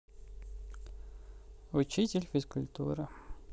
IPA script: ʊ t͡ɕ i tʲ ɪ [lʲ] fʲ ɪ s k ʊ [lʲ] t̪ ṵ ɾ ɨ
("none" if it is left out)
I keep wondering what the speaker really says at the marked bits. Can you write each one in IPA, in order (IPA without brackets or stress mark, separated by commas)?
lʲ, lʲ